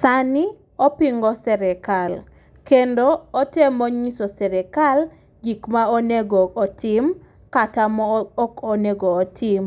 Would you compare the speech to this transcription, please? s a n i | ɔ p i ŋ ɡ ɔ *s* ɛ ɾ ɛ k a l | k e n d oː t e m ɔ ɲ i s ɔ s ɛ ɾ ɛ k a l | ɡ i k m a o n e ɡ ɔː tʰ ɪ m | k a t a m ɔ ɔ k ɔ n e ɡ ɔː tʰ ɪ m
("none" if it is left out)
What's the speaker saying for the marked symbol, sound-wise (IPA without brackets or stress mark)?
s